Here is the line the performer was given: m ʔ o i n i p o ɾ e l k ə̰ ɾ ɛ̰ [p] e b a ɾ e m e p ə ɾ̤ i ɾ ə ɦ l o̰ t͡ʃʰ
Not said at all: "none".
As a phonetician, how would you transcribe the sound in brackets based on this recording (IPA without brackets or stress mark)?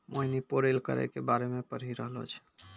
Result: k